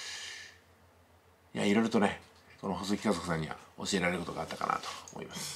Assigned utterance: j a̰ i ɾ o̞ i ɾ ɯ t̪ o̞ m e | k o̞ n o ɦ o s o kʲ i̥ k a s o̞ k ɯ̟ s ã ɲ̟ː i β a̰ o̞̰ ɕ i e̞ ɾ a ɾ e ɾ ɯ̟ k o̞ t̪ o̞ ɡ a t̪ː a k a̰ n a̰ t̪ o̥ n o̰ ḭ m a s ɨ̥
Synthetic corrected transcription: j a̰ i ɾ o̞ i ɾ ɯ t̪ o̞ n e | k o̞ n o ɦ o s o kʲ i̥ k a z o̞ k ɯ̟ s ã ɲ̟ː i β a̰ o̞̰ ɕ i e̞ ɾ a ɾ e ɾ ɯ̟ k o̞ t̪ o̞ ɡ a t̪ː a k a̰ n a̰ t̪ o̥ m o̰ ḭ m a s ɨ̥